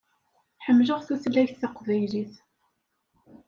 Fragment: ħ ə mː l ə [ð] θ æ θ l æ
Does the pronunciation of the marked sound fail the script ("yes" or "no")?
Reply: yes